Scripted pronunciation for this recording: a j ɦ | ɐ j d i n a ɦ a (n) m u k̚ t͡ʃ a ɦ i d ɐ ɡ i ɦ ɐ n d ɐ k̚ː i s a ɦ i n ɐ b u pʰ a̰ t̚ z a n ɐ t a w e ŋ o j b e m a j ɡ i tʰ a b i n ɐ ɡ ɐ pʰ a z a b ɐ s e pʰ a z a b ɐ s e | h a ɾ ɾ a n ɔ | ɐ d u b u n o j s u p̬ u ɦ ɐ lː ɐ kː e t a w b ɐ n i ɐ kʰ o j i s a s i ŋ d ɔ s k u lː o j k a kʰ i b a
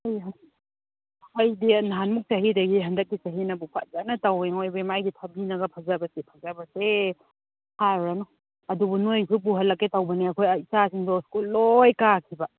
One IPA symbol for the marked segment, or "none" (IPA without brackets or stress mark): n